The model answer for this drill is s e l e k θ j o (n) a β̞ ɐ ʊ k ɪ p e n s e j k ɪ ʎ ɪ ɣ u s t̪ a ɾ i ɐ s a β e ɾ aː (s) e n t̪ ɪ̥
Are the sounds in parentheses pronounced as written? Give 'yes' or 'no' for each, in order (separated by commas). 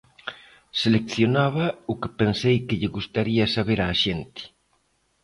yes, no